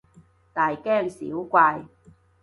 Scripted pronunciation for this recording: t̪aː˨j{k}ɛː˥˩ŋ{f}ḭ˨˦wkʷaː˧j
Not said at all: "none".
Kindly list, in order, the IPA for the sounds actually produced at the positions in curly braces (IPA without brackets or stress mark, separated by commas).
k, s